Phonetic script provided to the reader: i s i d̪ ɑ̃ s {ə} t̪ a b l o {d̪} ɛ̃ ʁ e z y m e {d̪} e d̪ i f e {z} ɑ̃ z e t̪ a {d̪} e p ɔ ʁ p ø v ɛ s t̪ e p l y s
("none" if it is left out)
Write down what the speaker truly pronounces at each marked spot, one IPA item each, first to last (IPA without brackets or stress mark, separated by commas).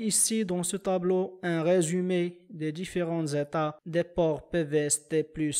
ə, none, d̪, ʁ, d̪